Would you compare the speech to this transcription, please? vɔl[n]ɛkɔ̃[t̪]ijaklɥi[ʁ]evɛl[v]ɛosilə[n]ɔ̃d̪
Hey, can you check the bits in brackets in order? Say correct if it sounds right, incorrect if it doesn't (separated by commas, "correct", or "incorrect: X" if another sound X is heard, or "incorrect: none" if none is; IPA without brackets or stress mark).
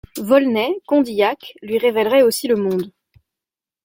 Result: correct, incorrect: d̪, correct, incorrect: ʁ, incorrect: m